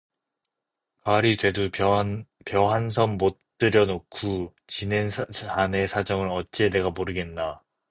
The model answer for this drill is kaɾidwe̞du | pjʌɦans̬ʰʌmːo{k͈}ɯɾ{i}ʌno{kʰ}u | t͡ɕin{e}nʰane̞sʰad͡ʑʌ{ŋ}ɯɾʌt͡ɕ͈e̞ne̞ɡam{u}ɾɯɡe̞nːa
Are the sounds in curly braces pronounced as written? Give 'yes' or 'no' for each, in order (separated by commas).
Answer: no, no, yes, yes, yes, no